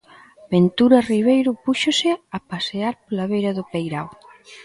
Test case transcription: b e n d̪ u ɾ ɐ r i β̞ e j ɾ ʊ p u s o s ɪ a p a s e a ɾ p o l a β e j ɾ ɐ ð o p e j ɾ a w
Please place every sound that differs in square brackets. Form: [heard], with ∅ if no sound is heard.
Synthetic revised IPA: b e n [t̪] u ɾ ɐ r i β̞ e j ɾ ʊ p u [ʃ] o s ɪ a p a s e a ɾ p o l a β e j ɾ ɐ ð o p e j ɾ a w